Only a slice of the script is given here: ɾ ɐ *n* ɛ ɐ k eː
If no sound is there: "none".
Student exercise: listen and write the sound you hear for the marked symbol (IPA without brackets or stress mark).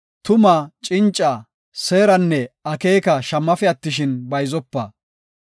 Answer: nː